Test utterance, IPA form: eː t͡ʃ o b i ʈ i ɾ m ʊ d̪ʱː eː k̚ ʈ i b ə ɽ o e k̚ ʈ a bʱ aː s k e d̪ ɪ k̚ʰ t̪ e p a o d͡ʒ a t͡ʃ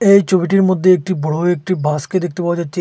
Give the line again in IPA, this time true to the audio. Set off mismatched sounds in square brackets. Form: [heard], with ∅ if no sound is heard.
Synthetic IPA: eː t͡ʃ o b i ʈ i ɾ m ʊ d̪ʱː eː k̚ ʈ i b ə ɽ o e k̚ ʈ [i] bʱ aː s k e d̪ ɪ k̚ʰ t̪ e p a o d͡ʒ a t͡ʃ